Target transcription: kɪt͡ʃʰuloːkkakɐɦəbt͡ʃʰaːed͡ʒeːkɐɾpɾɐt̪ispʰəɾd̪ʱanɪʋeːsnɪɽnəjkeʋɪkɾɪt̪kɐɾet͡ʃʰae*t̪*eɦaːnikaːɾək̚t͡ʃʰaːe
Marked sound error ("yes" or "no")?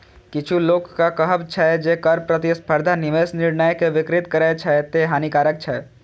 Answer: no